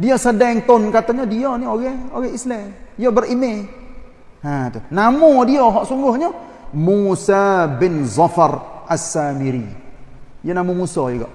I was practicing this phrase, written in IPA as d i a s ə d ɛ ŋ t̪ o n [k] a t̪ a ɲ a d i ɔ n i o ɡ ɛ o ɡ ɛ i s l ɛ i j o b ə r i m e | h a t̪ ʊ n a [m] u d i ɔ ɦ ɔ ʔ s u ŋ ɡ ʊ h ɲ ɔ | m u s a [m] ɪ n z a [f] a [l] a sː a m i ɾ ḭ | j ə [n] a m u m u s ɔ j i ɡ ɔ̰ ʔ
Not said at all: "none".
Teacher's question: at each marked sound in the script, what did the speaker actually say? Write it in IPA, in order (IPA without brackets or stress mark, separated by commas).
k, m, b, f, r, n